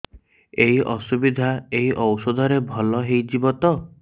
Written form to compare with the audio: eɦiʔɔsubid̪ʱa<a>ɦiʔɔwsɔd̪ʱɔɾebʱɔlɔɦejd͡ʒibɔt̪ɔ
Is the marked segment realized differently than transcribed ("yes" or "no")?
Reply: yes